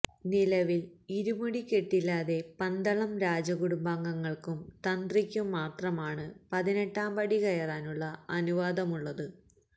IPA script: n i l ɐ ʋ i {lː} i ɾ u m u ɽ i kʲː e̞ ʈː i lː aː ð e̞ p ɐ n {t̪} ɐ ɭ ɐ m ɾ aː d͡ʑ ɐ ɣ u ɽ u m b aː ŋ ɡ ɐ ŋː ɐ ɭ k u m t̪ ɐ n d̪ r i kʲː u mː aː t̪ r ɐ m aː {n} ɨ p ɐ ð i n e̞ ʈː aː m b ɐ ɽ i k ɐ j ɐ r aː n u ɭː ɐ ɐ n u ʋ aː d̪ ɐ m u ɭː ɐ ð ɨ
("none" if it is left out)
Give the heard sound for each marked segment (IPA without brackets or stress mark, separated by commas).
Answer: l, d̪, ɳ